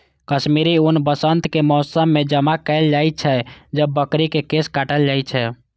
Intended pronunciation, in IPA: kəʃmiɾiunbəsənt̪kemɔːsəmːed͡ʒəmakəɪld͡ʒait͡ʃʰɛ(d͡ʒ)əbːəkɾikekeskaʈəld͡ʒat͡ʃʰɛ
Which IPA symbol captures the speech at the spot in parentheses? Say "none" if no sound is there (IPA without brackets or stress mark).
d͡ʒ